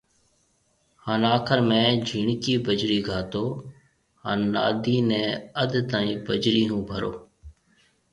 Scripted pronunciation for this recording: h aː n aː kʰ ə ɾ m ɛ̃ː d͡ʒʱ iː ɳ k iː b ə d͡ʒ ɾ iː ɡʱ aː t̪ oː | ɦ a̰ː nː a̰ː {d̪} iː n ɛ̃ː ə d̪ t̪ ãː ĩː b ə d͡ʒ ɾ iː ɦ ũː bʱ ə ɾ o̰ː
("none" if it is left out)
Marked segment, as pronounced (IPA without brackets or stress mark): d̪